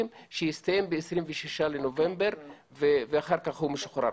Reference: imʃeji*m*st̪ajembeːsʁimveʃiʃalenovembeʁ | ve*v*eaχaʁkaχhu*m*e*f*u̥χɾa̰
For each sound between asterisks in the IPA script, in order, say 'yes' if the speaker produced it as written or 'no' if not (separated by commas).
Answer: no, yes, yes, no